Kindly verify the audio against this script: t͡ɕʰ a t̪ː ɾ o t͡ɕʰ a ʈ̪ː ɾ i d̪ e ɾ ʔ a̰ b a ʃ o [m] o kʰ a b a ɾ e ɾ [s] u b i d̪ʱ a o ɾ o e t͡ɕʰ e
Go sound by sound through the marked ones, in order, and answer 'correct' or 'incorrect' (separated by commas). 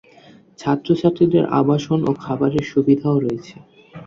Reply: incorrect, incorrect